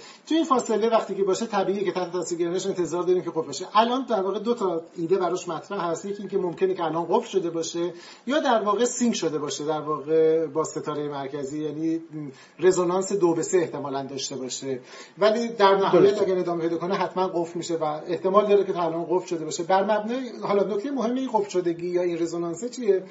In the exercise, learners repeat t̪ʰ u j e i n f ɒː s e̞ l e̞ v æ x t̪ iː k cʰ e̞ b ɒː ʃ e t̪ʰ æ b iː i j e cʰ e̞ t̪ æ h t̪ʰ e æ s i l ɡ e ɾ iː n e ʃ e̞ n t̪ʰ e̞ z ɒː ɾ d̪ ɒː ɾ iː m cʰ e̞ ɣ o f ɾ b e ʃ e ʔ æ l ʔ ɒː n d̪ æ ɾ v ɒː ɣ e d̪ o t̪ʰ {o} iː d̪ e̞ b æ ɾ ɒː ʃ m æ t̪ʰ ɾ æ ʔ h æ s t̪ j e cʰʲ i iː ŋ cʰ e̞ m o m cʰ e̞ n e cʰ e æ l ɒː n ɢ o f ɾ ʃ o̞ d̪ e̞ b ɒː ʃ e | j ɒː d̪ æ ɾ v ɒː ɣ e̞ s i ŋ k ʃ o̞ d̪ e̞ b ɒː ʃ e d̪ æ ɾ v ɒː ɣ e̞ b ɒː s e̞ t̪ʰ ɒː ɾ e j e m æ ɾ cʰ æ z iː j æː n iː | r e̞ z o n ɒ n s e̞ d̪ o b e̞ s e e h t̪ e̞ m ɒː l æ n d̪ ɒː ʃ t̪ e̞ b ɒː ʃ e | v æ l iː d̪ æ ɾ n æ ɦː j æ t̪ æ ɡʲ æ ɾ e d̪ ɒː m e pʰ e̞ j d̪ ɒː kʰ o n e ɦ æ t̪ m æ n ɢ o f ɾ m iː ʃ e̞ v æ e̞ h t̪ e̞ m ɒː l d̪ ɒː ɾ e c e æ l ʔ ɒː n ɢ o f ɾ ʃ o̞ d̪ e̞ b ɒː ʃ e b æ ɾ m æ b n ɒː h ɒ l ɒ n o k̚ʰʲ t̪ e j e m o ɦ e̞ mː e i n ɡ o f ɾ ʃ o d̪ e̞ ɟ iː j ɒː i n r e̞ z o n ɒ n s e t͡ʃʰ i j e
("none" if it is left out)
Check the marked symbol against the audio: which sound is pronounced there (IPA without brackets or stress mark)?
ɒ